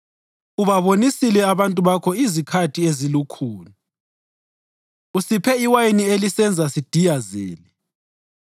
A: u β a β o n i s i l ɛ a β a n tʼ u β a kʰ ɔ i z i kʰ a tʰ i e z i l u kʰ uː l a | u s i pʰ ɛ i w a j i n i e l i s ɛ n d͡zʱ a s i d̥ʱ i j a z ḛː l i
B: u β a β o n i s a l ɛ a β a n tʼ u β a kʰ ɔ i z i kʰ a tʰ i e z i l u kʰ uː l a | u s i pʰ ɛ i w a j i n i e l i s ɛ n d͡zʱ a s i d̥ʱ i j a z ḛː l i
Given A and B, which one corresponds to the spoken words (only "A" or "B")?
A